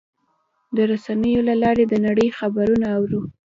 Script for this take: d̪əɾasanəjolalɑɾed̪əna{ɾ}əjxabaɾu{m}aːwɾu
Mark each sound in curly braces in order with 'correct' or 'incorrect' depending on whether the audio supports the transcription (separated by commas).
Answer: incorrect, incorrect